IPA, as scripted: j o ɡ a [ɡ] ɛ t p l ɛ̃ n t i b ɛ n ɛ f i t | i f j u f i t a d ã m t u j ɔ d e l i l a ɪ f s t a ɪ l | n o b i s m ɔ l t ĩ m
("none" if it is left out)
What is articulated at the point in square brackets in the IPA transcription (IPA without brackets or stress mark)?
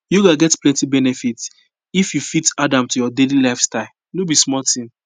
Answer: ɡ